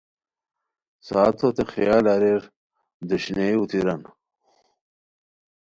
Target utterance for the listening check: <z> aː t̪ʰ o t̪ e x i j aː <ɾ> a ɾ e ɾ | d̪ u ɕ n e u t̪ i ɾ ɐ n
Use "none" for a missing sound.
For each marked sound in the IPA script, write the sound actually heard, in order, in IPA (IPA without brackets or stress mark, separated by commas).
s, l